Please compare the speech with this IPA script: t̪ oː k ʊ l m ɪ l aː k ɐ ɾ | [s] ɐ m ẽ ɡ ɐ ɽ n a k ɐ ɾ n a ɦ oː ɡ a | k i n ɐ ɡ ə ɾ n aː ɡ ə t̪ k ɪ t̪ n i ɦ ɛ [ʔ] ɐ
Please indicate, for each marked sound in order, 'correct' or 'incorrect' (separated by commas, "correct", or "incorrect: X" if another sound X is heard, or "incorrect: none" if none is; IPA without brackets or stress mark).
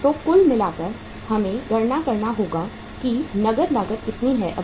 incorrect: h, correct